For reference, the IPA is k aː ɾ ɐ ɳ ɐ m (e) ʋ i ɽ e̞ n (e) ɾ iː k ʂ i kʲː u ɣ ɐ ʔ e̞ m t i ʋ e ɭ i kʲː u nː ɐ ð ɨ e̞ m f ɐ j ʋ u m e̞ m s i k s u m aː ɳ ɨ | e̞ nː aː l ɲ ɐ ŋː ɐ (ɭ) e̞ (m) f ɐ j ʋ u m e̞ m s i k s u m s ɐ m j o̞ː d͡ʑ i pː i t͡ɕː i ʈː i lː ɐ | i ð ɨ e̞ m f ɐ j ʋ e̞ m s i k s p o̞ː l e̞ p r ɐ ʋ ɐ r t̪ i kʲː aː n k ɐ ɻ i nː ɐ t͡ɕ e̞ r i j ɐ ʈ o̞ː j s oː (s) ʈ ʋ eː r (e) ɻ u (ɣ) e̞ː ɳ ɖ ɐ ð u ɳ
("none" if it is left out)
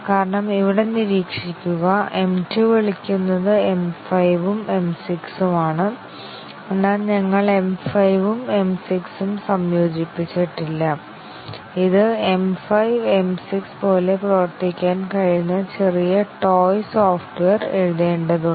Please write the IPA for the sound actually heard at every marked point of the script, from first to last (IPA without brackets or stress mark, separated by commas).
i, i, ɭ, m, f, e, ð